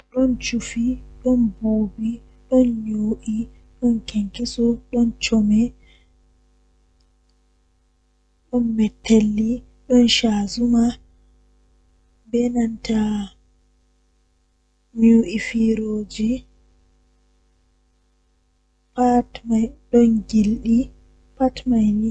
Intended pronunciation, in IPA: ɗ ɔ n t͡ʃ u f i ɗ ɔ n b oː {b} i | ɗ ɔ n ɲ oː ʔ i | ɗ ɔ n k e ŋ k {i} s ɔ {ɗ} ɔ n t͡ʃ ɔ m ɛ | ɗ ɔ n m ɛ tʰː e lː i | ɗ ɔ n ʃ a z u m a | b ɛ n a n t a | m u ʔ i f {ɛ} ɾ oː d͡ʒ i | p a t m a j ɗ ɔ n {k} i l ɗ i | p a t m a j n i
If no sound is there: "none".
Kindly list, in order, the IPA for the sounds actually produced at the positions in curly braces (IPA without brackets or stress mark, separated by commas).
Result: b, i, ɗ, i, ɡ